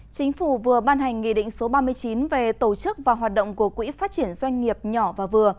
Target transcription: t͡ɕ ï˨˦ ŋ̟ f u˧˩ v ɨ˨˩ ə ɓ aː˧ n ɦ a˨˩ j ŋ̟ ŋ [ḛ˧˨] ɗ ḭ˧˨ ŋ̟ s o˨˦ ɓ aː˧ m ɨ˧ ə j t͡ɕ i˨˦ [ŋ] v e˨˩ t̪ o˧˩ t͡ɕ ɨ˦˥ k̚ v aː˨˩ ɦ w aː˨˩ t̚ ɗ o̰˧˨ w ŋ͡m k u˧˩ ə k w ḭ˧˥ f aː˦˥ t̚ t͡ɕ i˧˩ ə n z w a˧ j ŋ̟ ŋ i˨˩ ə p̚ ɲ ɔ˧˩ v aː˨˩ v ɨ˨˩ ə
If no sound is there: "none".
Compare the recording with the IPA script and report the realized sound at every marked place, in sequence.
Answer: ḭ˧˨, n

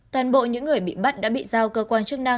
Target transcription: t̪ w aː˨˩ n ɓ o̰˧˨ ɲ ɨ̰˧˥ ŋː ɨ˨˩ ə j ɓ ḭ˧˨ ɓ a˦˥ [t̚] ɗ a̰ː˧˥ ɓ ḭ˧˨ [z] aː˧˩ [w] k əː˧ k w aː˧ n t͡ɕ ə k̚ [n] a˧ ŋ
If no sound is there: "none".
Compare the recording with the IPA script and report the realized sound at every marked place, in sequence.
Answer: t̚, z, w, n

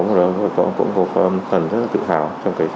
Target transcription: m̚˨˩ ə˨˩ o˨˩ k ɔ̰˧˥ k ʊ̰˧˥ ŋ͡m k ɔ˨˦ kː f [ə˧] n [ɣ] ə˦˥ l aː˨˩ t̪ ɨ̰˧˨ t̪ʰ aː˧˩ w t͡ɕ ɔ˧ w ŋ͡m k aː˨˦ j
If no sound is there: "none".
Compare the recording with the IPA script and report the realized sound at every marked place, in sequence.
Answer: ə˨˩, z

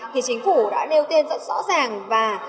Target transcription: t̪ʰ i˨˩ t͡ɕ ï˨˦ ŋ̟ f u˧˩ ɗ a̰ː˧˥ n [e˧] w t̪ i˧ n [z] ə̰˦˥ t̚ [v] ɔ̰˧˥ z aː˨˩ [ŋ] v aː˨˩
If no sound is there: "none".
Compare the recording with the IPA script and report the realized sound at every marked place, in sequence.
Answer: e˧, z, z, ŋ

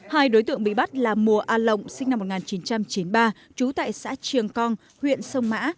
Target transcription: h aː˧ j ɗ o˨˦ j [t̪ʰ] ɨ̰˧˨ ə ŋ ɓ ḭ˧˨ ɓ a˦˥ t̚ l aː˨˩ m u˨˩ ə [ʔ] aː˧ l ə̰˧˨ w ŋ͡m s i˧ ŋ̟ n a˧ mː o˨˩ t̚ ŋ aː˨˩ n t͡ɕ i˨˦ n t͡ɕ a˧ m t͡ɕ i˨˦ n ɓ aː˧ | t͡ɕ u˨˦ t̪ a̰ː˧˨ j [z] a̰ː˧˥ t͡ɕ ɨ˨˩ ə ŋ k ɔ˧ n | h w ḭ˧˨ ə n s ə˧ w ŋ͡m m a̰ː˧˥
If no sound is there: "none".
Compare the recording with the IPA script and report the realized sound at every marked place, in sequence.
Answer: t̪, ʔ, s

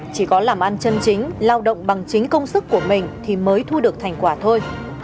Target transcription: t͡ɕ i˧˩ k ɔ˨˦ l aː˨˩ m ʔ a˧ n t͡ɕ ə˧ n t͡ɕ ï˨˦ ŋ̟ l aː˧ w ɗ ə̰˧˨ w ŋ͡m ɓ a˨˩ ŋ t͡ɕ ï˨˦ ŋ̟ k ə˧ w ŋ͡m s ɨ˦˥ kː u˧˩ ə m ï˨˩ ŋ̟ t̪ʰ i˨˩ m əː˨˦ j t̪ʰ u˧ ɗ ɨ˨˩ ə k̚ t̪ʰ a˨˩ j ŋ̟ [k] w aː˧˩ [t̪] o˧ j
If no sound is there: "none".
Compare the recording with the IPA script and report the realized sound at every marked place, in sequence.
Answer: k, t̪ʰ

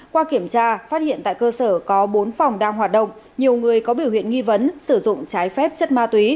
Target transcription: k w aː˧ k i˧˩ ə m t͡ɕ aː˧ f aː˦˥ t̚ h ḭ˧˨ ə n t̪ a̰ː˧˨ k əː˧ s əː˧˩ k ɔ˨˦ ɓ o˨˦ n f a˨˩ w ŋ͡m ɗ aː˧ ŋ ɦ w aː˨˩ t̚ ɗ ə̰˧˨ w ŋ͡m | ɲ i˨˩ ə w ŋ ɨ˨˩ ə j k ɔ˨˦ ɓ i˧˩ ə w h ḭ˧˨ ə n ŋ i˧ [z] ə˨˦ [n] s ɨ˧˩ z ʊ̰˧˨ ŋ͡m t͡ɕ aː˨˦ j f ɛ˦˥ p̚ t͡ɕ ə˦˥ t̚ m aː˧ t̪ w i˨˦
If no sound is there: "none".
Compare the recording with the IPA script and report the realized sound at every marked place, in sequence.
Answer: v, n

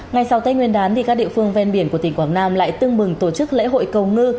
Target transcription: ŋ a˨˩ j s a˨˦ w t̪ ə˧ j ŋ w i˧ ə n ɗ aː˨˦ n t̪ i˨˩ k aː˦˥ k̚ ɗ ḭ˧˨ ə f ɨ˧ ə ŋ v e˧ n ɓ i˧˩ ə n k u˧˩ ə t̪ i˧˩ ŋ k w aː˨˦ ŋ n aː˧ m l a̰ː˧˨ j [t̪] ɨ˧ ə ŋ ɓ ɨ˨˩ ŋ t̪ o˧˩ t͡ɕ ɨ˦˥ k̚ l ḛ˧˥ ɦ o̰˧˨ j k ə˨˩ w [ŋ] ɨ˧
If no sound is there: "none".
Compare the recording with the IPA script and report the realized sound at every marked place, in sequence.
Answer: t̪, ŋ

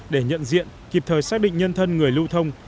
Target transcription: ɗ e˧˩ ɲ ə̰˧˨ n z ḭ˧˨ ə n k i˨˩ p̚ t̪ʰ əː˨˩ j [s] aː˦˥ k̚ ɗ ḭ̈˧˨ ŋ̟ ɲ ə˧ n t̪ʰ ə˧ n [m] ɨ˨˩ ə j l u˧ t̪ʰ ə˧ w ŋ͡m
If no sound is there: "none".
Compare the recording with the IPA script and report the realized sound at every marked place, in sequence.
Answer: s, ŋ

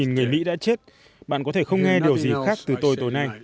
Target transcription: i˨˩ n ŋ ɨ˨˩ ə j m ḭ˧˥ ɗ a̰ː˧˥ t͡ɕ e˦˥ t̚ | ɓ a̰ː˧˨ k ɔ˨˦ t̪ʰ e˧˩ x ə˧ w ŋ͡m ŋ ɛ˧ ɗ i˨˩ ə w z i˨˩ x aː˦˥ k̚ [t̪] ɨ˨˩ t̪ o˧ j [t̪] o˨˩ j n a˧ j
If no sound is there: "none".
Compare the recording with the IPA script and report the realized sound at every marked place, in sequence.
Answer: t̪, t̪

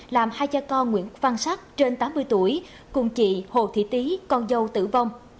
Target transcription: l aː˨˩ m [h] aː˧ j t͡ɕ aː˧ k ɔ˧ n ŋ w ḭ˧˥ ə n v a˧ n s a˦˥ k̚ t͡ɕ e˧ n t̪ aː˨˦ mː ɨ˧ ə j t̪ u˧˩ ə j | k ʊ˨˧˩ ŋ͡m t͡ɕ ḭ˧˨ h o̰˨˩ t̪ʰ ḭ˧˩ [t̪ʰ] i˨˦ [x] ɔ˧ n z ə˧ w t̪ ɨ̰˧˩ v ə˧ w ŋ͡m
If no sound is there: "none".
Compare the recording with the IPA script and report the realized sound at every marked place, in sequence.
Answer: h, t̪, k

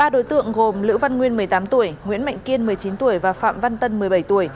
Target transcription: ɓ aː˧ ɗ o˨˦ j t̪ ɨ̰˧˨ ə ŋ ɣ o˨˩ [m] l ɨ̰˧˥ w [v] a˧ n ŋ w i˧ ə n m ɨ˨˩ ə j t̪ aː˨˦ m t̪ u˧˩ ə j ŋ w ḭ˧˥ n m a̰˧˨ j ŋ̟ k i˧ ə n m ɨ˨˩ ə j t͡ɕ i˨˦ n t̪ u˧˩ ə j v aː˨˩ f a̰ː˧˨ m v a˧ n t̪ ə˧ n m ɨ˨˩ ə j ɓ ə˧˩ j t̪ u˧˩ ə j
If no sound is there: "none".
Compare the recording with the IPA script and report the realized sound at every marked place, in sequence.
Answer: m, v

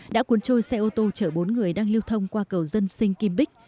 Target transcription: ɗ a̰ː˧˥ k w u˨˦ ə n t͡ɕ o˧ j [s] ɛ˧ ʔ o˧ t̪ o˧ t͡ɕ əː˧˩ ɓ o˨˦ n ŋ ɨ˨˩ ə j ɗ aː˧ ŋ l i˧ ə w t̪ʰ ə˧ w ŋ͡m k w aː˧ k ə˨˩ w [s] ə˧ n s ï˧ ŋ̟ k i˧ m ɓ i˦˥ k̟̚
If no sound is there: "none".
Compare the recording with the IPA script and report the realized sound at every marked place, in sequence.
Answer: s, z

